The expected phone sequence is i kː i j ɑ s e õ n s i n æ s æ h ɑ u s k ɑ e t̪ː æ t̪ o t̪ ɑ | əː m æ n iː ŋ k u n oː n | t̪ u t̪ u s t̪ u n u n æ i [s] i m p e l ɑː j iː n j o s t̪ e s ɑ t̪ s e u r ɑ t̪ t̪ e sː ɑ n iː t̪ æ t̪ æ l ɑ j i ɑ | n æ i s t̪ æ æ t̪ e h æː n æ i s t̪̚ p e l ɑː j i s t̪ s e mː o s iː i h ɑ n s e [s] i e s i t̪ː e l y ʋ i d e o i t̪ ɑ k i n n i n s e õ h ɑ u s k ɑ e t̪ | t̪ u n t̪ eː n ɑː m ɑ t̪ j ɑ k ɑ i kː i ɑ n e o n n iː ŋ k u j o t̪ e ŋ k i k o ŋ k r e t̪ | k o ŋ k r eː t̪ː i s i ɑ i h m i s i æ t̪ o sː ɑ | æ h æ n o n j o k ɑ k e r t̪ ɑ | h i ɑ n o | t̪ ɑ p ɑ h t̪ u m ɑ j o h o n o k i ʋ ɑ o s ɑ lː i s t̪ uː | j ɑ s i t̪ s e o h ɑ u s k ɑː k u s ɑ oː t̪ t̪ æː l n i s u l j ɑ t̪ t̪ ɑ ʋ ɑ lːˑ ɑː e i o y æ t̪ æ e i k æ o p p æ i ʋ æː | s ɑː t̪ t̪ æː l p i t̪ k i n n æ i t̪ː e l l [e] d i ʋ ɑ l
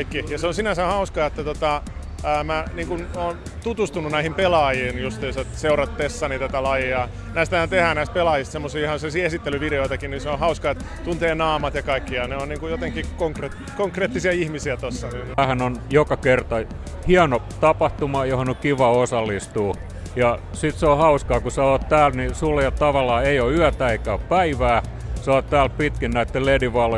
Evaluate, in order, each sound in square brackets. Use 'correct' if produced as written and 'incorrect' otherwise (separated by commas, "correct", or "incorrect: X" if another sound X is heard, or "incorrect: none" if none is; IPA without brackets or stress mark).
incorrect: h, correct, correct